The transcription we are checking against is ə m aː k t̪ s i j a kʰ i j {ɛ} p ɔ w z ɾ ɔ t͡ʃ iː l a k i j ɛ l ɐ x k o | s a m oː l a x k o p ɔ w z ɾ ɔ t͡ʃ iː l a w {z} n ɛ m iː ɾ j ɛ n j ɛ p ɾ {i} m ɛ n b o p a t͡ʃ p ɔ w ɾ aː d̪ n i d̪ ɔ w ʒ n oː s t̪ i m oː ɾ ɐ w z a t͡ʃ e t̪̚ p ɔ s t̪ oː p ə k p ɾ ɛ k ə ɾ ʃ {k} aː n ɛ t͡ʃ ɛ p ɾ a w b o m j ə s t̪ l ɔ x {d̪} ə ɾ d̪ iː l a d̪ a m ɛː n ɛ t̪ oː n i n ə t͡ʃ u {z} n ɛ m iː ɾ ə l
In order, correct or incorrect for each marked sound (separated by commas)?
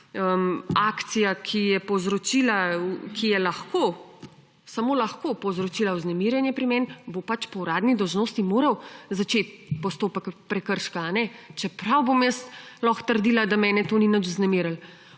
correct, correct, correct, correct, incorrect, correct